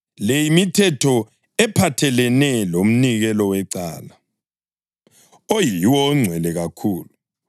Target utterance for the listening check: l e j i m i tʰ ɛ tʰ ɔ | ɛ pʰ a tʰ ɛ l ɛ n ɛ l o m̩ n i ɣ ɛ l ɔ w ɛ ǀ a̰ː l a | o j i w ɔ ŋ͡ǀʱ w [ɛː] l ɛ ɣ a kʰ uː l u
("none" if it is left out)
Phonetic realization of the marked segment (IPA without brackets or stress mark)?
ɛ